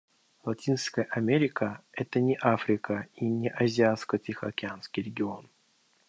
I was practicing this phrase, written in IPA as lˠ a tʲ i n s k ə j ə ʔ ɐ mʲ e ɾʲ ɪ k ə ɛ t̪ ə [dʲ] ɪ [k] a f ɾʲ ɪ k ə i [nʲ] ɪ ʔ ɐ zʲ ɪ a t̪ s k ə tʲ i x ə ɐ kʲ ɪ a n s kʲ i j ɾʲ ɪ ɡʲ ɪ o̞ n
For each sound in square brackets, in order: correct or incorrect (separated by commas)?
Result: incorrect, incorrect, correct